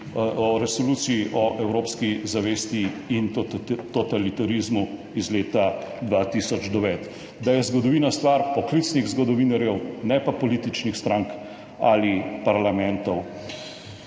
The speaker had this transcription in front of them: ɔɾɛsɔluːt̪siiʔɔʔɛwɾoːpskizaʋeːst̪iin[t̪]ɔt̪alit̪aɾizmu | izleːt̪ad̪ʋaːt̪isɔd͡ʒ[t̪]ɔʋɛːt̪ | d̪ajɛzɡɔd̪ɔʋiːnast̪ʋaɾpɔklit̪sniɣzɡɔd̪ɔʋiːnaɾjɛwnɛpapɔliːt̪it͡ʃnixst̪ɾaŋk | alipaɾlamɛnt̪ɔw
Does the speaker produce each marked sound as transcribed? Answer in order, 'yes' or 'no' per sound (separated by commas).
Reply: yes, no